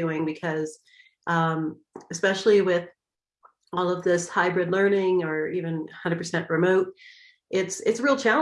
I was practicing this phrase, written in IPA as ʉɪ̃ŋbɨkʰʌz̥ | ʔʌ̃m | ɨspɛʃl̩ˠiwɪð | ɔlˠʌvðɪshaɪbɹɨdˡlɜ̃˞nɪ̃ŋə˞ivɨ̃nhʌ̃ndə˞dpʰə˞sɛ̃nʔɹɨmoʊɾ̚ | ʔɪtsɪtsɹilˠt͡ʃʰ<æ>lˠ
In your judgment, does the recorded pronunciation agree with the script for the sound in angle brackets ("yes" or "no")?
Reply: yes